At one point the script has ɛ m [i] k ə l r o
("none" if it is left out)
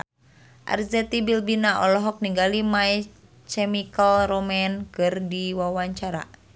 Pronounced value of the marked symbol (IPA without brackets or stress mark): i